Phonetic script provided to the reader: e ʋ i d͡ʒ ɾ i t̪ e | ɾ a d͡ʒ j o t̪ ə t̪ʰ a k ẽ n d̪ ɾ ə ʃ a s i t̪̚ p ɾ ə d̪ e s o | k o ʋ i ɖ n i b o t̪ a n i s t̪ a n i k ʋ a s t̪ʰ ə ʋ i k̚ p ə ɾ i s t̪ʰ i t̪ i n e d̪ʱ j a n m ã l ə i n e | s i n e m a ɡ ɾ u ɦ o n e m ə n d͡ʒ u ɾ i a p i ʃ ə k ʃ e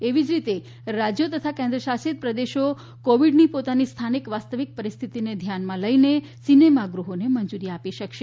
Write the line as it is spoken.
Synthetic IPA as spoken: e ʋ i d͡ʒ ɾ i t̪ e | ɾ a d͡ʒ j o t̪ ə t̪ʰ a k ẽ n d̪ ɾ ə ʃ a s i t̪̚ p ɾ ə d̪ e ʃ o | k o ʋ i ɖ n i p o t̪ a n i s t̪ʰ a n i k ʋ a s t̪ ə ʋ i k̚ p ə ɾ i s t̪ʰ i t̪ i n e d̪ʱ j a n m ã l ə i n e | s i n e m a ɡ ɾ u ɦ o n e m ə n d͡ʒ u ɾ i a p i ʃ ə k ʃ e